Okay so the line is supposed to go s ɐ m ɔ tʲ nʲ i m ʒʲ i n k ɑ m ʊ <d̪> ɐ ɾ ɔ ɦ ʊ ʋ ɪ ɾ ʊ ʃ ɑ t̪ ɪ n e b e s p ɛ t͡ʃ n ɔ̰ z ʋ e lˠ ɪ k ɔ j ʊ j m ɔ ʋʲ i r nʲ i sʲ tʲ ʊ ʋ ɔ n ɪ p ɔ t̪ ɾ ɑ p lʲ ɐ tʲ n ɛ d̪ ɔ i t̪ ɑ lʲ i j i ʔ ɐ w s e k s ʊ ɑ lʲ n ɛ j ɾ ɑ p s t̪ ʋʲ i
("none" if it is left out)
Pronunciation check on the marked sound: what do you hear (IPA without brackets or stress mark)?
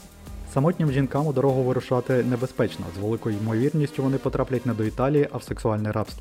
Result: d̪